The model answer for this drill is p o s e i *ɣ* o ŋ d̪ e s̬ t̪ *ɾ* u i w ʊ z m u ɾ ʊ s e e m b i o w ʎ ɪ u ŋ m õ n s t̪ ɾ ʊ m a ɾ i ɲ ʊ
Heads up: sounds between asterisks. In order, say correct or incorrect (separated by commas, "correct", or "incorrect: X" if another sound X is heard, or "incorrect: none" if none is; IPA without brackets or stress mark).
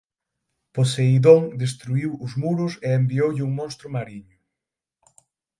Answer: incorrect: ð, correct